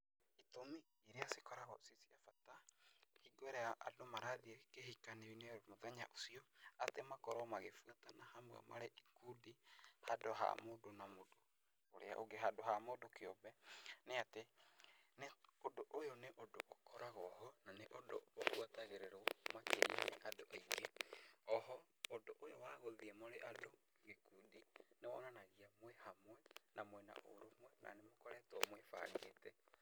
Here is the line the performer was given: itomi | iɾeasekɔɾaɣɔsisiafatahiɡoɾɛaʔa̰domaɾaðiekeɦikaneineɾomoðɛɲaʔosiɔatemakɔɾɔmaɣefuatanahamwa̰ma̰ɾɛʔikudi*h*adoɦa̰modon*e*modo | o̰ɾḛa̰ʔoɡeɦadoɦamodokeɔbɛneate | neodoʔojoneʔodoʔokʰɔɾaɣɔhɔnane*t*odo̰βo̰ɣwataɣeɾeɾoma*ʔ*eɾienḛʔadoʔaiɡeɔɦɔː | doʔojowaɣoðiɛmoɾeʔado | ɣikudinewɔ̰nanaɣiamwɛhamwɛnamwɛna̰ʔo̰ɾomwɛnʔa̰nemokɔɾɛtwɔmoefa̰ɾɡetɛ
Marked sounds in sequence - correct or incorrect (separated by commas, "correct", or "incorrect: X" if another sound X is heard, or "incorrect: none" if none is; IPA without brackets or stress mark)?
correct, incorrect: a, incorrect: ʔ, incorrect: k